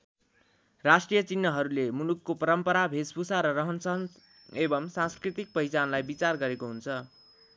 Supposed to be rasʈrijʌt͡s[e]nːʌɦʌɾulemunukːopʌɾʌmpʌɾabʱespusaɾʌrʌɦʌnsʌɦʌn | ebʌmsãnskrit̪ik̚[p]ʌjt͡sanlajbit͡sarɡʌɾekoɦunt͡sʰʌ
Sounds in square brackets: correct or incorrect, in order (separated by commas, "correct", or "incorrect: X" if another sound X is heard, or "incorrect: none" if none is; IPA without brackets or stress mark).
incorrect: i, correct